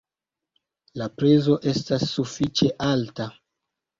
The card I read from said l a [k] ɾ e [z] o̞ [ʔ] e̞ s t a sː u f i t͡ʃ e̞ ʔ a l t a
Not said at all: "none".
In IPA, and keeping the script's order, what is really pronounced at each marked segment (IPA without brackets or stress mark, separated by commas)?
p, z, ʔ